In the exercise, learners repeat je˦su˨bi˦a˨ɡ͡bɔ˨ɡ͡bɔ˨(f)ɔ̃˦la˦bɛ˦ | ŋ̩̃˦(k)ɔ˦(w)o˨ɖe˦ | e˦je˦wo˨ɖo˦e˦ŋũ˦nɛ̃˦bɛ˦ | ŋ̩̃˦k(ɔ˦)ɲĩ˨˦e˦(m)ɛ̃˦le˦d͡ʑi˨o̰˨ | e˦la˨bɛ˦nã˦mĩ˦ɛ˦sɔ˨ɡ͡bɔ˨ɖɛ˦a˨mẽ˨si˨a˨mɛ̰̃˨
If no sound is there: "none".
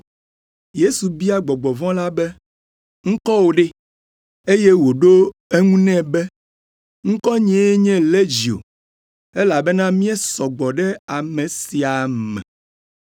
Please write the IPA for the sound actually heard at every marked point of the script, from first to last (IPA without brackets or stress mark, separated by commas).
v, k, w, ɔ˦, ɲ